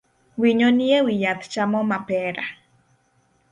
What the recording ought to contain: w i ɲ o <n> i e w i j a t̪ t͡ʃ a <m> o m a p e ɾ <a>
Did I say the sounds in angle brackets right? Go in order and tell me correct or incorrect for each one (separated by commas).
correct, correct, correct